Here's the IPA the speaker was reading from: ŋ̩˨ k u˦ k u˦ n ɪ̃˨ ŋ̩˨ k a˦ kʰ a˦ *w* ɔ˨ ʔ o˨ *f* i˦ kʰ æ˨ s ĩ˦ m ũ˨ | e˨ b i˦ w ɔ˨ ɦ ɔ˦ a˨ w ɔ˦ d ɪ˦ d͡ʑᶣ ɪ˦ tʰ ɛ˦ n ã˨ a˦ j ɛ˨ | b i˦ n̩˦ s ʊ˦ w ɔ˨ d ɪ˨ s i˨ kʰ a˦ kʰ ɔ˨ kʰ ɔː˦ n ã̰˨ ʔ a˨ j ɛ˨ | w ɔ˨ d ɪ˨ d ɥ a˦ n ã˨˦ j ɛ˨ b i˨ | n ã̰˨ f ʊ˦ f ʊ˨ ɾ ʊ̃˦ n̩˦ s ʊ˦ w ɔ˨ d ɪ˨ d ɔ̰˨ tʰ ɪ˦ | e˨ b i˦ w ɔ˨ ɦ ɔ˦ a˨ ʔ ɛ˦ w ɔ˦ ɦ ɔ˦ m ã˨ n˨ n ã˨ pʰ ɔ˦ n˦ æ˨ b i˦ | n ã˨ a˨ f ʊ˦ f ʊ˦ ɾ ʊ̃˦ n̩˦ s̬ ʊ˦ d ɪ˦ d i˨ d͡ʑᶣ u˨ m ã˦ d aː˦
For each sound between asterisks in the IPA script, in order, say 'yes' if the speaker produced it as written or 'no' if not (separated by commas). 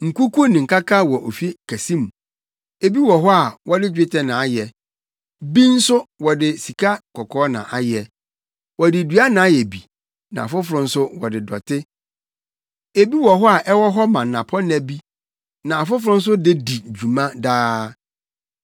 yes, yes